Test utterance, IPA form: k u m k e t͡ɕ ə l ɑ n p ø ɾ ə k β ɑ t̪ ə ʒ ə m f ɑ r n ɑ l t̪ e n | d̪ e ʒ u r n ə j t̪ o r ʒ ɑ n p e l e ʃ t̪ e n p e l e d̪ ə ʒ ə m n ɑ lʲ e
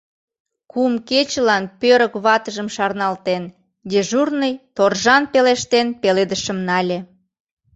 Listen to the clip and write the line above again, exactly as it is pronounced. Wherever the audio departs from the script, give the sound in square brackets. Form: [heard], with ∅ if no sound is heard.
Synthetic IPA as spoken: k u m k e t͡ɕ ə l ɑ n p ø ɾ ə k β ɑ t̪ ə ʒ ə m [ʃ] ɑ r n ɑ l t̪ e n | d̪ e ʒ u r n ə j t̪ o r ʒ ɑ n p e l e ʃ t̪ e n p e l e d̪ ə [ʃ] ə m n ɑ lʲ e

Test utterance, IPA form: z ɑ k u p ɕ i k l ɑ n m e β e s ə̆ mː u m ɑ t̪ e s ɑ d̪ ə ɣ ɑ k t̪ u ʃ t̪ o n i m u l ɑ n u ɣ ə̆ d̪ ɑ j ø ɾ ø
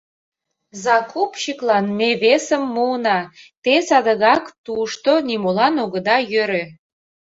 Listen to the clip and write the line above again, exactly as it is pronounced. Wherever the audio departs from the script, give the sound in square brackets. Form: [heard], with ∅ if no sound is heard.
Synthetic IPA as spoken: z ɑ k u p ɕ i k l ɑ n m e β e s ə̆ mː u [n] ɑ t̪ e s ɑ d̪ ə ɣ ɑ k t̪ u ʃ t̪ o n i m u l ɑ n [o] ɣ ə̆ d̪ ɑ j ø ɾ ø

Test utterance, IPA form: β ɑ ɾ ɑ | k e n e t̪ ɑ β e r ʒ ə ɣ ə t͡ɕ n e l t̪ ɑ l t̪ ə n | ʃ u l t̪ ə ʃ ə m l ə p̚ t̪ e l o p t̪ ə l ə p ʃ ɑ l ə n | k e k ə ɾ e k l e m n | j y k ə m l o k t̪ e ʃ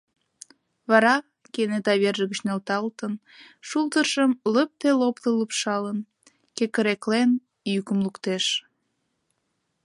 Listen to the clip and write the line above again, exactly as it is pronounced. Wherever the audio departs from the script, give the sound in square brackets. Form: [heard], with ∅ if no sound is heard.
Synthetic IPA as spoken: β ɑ ɾ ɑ | k e n e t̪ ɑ β e r ʒ ə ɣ ə t͡ɕ n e l t̪ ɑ l t̪ ə n | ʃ u l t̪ ə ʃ ə m l ə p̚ t̪ e l o p t̪ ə l ə p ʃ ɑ l ə n | k e k ə ɾ e k l e [∅] n | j y k ə m l [u] k t̪ e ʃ

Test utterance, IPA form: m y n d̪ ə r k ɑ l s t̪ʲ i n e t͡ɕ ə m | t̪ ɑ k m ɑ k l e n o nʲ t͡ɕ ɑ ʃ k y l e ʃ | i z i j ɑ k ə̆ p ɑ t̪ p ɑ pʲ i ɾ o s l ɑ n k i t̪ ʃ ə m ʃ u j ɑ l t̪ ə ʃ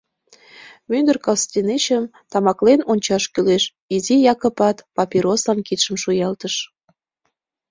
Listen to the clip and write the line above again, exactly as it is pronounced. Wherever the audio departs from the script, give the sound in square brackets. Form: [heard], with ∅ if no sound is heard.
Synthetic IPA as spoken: m y n d̪ ə r k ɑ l s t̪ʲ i n e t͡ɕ ə m | t̪ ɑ [∅] m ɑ k l e n o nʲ t͡ɕ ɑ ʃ k y l e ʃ | i z i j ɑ k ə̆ p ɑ t̪ p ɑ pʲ i ɾ o s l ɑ n k i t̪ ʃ ə m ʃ u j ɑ l t̪ ə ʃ

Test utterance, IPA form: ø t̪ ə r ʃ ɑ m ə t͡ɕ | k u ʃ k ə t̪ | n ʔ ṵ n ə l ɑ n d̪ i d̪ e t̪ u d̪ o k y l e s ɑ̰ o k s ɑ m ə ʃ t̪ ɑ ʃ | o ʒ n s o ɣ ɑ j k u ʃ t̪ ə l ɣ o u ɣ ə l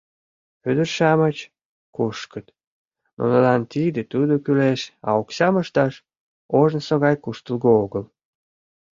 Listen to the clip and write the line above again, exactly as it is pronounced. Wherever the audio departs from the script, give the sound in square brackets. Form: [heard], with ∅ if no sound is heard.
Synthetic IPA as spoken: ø [d̪] ə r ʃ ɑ m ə t͡ɕ | k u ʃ k ə t̪ | n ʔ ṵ n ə l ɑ n [t̪] i d̪ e t̪ u d̪ o k y l e [ʃ] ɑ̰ o k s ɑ m ə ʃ t̪ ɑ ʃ | o ʒ n s o ɣ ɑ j k u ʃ t̪ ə l ɣ o [o] ɣ ə l

